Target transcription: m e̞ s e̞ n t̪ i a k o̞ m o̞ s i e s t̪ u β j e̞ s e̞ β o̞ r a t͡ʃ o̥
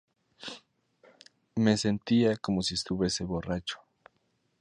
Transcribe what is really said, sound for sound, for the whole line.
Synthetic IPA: m e̞ s e̞ n t̪ i a k o̞ m o̞ s i e s t̪ u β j e̞ s e̞ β o̞ r a t͡ʃ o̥